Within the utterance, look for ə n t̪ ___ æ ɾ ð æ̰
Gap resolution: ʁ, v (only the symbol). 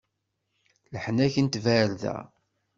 v